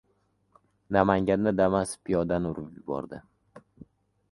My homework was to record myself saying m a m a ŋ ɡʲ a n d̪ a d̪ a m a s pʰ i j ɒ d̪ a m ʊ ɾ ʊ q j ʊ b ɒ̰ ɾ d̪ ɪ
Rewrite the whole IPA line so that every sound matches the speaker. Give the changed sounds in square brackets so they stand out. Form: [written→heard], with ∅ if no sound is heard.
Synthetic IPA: [m→n] a m a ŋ ɡʲ a n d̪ a d̪ a m a s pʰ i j ɒ d̪ a [m→n] ʊ ɾ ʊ [q→p] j ʊ b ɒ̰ ɾ d̪ ɪ